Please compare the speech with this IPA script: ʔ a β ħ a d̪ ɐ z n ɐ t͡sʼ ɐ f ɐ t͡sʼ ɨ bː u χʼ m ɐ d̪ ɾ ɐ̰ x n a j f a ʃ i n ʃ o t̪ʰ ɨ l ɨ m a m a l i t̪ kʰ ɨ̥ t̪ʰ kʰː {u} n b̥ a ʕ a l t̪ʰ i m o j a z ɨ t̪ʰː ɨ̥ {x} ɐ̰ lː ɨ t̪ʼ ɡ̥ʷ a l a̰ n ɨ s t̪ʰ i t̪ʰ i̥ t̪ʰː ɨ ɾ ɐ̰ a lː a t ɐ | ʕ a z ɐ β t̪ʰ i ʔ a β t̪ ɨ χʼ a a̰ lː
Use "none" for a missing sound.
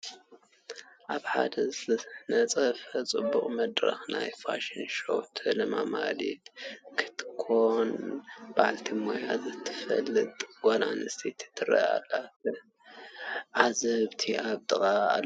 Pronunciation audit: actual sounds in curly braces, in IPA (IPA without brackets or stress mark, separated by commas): o, f